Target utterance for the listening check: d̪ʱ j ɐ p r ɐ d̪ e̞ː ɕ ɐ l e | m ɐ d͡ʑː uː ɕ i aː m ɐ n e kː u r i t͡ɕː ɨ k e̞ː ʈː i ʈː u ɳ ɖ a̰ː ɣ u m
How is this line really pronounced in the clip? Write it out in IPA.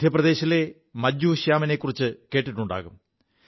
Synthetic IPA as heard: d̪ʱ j ɐ p r ɐ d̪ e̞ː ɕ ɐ l e | m ɐ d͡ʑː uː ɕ j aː m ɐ n e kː u r i t͡ɕː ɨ k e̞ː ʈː i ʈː u ɳ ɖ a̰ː ɣ u m